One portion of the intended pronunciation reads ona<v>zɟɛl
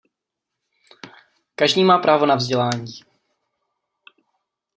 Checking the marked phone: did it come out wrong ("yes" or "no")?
no